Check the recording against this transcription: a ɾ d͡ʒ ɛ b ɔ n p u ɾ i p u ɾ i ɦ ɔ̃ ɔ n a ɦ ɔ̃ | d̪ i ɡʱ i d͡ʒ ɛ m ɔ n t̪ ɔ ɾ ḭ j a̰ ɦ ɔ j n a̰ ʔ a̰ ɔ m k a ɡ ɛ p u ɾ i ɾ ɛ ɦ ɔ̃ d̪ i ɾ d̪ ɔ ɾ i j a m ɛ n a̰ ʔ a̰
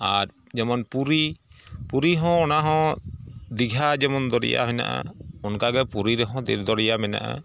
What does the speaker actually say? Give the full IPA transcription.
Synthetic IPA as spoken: a ɾ d͡ʒ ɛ m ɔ n p u ɾ i p u ɾ i ɦ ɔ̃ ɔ n a ɦ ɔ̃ | d̪ i ɡʱ a d͡ʒ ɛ m ɔ n d̪ ɔ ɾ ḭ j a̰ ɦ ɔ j n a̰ ʔ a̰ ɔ n k a ɡ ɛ p u ɾ i ɾ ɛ ɦ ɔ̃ d̪ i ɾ d̪ ɔ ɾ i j a m ɛ n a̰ ʔ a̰